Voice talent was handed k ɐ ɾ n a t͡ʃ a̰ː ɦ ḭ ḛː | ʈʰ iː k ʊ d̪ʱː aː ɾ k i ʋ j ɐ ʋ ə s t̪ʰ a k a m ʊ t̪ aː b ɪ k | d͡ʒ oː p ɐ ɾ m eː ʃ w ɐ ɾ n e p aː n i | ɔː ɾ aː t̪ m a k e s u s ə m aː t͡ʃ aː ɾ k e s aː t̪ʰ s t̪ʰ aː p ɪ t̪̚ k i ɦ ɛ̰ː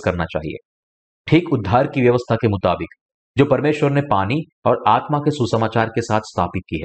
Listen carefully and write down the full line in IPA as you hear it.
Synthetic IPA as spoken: k ɐ ɾ n a t͡ʃ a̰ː ɦ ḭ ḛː | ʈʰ iː k ʊ d̪ʱː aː ɾ k i ʋ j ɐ ʋ ə s t̪ʰ a k e m ʊ t̪ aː b ɪ k | d͡ʒ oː p ɐ ɾ m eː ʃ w ə ɾ n e p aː n i | ɔː ɾ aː t̪ m a k e s u s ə m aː t͡ʃ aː ɾ k e s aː t̪ʰ s t̪ʰ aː p ɪ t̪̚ k i ɦ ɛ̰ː